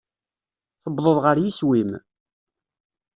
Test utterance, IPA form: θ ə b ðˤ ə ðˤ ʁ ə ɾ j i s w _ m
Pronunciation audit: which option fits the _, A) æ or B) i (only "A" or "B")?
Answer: B